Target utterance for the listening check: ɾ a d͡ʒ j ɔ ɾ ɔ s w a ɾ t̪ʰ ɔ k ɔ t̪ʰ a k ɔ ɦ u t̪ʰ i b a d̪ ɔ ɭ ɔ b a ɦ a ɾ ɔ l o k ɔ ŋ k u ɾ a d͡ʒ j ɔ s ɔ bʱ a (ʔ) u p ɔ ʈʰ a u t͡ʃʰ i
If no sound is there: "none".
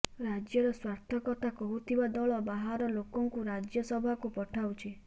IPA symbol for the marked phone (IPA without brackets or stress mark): k